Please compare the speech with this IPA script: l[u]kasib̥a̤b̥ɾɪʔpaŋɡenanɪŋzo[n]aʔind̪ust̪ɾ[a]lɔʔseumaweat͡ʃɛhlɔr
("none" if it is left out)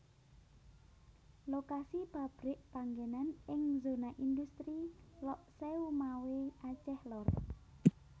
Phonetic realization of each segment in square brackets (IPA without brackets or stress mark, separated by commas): o, n, i